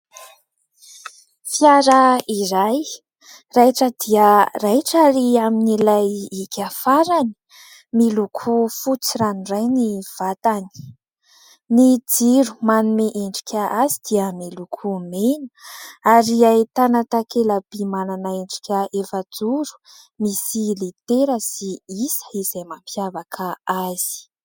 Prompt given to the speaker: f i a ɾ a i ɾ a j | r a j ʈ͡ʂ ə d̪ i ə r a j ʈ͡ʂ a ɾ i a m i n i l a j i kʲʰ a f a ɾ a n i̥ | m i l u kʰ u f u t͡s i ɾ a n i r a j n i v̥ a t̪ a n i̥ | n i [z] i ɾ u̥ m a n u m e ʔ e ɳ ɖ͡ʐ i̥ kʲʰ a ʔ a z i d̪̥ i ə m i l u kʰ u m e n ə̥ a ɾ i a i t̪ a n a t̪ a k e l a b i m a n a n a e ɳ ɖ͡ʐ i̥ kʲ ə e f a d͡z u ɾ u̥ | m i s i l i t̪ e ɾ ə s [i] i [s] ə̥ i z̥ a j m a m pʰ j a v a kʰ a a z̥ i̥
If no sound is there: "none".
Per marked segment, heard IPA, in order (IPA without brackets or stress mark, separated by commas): d͡z, i, s